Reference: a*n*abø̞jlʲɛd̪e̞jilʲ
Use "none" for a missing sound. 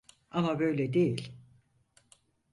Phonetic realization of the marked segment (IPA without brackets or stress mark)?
m